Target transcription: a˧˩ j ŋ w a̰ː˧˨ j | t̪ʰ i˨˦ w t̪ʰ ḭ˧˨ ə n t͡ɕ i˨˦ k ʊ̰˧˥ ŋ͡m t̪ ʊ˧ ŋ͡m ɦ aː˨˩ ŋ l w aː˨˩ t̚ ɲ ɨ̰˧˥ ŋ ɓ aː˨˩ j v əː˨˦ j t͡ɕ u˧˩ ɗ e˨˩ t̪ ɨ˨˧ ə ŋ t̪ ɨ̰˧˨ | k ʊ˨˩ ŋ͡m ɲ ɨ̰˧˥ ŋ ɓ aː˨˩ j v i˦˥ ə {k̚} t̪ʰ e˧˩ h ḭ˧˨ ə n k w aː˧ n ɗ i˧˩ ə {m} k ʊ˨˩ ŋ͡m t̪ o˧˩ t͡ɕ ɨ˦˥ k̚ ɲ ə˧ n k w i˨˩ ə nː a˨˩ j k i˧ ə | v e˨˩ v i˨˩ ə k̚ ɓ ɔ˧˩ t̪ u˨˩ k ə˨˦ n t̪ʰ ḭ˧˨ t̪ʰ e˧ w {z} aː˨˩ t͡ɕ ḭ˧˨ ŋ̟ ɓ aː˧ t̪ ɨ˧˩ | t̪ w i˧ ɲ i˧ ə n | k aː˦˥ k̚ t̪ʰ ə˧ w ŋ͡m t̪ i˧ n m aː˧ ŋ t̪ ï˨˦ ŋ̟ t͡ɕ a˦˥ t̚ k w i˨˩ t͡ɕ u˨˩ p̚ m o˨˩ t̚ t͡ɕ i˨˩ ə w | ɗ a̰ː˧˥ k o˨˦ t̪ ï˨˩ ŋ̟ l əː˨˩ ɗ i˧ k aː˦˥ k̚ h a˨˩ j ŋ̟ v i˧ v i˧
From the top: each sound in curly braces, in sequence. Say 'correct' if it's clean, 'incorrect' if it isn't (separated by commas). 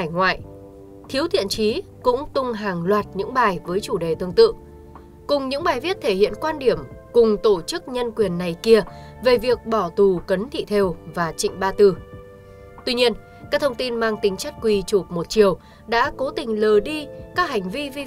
incorrect, correct, incorrect